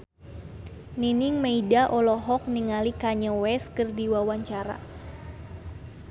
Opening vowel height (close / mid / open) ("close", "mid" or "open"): close